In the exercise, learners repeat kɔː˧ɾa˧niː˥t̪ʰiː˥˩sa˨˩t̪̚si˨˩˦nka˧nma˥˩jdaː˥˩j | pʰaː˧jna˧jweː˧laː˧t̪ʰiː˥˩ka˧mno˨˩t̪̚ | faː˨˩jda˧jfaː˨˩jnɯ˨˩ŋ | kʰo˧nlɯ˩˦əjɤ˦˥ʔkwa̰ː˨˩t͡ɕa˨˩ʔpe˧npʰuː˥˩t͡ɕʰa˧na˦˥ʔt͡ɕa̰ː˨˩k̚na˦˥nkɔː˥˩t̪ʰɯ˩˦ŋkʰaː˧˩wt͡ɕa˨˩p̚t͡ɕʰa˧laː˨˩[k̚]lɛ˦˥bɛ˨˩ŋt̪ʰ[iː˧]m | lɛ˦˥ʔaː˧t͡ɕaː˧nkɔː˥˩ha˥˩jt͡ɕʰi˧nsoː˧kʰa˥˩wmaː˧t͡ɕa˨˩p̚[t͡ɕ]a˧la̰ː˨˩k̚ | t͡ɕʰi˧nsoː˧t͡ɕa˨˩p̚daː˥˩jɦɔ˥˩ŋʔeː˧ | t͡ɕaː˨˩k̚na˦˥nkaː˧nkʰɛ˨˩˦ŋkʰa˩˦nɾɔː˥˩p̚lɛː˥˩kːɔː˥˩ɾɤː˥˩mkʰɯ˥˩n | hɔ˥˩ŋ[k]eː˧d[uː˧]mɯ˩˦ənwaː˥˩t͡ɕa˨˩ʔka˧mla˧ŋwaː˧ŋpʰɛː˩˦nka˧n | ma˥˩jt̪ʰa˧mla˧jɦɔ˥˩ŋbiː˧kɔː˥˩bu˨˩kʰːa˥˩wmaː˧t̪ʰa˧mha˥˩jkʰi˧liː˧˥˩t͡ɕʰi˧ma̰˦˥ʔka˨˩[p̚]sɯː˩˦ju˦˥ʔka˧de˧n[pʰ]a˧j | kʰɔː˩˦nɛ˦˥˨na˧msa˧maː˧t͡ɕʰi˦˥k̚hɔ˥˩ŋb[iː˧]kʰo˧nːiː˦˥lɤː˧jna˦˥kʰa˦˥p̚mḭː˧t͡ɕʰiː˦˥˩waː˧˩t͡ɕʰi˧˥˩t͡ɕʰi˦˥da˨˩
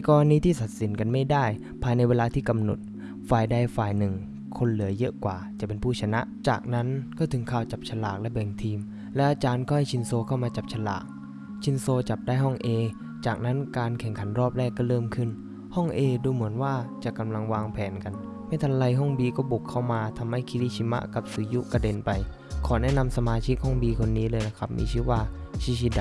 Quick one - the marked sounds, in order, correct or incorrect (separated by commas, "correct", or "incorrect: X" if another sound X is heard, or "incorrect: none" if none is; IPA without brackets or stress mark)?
correct, correct, incorrect: t͡ɕʰ, incorrect: ʔ, correct, correct, incorrect: p, correct